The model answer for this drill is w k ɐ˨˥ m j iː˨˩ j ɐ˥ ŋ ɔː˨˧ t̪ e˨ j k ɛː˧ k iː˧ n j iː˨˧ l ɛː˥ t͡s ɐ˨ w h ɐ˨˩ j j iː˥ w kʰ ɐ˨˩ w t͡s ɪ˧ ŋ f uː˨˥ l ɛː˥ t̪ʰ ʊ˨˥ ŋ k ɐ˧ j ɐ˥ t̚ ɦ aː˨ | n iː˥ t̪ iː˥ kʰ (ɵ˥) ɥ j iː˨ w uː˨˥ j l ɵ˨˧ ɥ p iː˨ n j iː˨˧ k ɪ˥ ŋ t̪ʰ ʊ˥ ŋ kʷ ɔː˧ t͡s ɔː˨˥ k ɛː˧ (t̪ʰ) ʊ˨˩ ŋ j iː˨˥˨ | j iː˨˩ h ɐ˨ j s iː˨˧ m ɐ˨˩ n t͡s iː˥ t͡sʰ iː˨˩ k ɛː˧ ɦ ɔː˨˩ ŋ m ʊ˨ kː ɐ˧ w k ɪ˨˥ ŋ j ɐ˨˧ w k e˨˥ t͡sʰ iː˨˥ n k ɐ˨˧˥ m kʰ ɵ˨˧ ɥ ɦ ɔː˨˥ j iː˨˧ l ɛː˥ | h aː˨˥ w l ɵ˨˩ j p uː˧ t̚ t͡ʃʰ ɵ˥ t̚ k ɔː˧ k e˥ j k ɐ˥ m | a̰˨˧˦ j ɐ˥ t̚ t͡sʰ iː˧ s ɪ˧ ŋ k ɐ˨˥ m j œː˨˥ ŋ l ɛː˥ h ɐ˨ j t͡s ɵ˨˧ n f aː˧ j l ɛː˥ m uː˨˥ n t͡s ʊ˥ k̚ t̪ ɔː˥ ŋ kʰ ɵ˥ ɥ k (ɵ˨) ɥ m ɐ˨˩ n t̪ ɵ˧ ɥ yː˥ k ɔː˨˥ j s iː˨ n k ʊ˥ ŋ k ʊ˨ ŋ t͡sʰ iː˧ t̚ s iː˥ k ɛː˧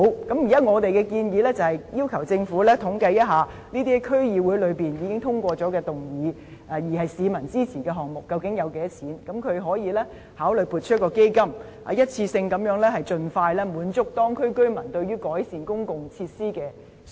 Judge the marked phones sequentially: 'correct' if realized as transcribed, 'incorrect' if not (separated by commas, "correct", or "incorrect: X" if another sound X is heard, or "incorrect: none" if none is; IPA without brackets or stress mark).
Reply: correct, incorrect: t̪, incorrect: ɵ˥